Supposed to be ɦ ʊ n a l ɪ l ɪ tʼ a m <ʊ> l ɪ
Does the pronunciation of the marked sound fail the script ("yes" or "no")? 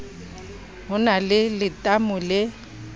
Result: no